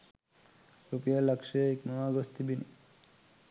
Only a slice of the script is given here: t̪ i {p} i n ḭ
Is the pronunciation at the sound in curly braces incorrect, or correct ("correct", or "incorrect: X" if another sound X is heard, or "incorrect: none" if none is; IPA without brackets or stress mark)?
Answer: incorrect: b